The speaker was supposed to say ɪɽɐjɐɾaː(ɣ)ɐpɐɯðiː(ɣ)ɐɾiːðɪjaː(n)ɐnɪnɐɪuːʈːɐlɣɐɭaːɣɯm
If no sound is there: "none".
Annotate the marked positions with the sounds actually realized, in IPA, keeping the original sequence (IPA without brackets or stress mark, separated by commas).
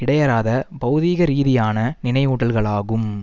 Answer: ð, ɣ, n